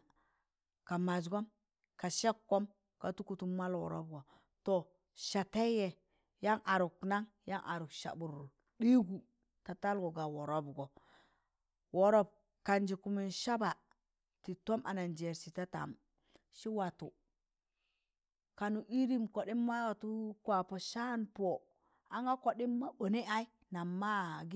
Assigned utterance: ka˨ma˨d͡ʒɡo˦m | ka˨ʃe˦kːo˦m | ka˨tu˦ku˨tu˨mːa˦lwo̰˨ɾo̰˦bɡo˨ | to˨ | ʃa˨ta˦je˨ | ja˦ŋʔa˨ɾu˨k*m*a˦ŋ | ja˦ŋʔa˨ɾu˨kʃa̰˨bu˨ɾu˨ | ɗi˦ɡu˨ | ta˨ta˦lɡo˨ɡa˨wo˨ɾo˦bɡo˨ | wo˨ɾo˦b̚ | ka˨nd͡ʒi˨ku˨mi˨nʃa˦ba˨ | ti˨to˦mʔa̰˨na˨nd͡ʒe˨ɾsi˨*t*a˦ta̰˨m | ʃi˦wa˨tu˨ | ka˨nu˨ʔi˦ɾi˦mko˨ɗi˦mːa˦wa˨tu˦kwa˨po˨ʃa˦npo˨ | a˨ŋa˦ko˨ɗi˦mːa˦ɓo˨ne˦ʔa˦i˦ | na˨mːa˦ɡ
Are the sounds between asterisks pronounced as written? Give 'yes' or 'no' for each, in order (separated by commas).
no, yes